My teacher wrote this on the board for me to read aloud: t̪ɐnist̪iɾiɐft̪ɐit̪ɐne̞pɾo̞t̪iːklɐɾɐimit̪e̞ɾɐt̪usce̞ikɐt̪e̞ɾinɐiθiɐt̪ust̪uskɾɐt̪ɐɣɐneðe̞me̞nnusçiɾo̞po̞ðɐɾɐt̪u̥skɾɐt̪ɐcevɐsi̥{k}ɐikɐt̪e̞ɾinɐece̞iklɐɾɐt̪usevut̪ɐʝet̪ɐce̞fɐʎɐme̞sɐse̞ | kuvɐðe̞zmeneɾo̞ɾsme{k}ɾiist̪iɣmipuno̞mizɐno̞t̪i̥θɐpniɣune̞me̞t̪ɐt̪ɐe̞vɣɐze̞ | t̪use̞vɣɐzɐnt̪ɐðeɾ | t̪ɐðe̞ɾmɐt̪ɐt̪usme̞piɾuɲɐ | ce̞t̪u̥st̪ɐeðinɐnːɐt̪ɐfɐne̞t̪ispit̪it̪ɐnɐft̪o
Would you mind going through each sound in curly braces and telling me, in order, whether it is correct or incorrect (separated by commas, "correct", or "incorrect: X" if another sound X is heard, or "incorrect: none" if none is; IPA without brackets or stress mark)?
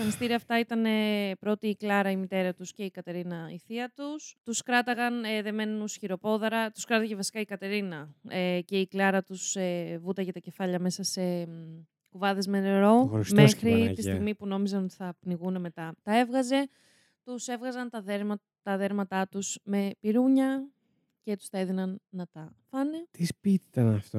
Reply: correct, incorrect: x